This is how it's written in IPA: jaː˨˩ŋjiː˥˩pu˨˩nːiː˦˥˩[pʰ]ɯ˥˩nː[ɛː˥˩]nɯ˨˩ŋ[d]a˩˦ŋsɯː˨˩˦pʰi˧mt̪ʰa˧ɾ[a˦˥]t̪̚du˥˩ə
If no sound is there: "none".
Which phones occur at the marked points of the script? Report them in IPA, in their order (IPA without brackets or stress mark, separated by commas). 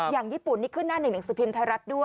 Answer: kʰ, aː˥˩, n, a˦˥